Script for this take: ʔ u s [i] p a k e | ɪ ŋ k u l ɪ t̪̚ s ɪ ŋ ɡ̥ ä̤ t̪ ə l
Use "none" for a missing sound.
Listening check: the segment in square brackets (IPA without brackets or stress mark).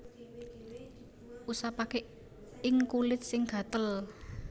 a